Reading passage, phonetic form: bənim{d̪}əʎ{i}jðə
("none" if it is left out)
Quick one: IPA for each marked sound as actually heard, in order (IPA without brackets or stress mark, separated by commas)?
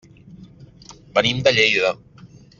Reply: d̪, e